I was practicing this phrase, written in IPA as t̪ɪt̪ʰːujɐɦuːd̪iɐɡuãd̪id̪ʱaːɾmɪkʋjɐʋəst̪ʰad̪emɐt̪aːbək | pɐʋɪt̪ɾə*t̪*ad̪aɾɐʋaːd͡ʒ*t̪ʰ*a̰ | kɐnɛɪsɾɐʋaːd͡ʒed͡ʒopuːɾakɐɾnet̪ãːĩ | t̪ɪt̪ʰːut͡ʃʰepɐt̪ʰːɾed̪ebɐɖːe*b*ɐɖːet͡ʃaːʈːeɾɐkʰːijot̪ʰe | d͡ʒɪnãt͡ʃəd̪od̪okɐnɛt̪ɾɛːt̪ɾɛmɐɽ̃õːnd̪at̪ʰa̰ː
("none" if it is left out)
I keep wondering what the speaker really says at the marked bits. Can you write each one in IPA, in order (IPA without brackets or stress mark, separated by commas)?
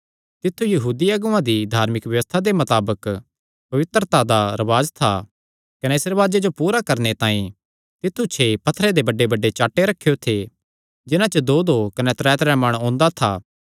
t̪, t̪ʰ, b